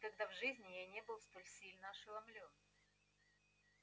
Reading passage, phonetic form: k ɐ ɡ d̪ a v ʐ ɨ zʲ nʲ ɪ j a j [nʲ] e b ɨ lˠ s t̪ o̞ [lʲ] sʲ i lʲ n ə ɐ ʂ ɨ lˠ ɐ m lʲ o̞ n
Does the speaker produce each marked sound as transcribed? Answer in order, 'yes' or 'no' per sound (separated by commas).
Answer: yes, yes